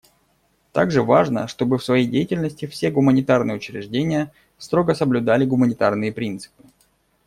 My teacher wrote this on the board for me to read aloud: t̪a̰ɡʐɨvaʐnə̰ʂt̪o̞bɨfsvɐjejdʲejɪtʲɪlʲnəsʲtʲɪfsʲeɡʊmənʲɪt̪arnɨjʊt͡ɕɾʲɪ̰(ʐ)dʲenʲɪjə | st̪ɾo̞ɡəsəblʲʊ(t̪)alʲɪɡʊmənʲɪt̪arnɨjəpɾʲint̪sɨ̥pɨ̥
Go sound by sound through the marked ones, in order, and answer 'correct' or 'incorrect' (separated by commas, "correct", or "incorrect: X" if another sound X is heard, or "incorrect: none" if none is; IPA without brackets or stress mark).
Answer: correct, incorrect: d̪